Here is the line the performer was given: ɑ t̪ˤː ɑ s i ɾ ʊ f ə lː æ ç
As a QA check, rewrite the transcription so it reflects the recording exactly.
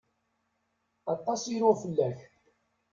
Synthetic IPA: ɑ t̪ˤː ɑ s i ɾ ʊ f ə lː æ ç